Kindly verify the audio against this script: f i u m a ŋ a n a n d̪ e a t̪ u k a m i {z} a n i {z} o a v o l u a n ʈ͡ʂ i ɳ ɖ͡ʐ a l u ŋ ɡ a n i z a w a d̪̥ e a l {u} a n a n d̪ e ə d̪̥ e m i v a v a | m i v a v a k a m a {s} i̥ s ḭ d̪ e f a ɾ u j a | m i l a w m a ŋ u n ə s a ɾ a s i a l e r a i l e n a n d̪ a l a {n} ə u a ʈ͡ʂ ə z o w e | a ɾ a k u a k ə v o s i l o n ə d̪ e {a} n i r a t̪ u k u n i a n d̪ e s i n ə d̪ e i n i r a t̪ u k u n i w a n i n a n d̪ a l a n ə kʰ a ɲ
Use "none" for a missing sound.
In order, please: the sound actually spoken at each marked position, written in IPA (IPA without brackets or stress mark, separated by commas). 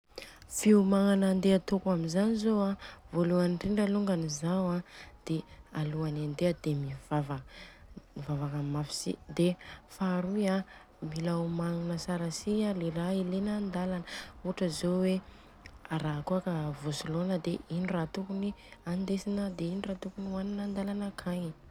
z, z, u, f, n, i